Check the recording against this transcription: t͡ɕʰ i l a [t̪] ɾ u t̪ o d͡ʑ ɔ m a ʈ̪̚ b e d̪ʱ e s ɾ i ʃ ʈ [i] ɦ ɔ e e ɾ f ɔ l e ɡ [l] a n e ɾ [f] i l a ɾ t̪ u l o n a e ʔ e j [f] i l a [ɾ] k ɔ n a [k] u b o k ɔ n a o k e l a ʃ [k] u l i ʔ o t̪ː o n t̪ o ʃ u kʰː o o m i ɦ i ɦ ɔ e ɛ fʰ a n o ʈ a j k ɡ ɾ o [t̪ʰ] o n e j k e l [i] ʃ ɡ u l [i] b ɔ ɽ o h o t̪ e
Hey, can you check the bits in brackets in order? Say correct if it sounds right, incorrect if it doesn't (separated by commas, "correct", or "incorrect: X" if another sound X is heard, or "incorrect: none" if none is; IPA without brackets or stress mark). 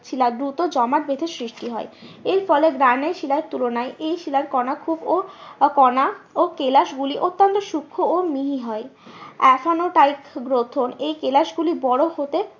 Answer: incorrect: d̪, correct, incorrect: ɾ, incorrect: ʃ, incorrect: ʃ, correct, incorrect: kʰ, incorrect: ɡ, correct, incorrect: a, correct